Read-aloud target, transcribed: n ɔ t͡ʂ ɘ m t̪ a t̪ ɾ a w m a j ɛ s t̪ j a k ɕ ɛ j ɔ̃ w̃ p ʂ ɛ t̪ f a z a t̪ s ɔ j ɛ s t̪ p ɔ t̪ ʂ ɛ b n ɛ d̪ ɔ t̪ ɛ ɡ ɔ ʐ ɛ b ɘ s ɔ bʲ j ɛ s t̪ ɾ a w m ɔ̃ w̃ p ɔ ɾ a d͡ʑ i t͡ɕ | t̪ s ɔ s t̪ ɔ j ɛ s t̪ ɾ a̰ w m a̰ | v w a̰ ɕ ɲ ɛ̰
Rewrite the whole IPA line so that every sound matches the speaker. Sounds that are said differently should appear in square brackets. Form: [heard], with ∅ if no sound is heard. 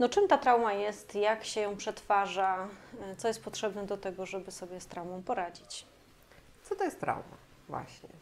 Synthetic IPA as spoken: n ɔ t͡ʂ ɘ m t̪ a t̪ ɾ a w m a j ɛ s t̪ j a k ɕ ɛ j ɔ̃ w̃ p ʂ ɛ t̪ f a [ʐ] a t̪ s ɔ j ɛ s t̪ p ɔ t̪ ʂ ɛ b n ɛ d̪ ɔ t̪ ɛ ɡ ɔ ʐ ɛ b ɘ s ɔ bʲ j ɛ s t̪ ɾ a w m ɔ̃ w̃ p ɔ ɾ a d͡ʑ i t͡ɕ | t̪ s ɔ [∅] t̪ ɔ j ɛ s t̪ ɾ a̰ w m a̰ | v w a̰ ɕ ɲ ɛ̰